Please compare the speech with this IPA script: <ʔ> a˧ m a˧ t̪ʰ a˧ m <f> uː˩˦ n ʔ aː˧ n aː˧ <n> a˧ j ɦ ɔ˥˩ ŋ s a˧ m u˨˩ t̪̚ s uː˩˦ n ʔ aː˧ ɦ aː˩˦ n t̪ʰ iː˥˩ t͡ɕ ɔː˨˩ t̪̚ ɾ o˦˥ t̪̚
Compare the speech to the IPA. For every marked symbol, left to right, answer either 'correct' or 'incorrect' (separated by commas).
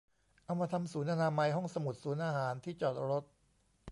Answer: correct, incorrect, incorrect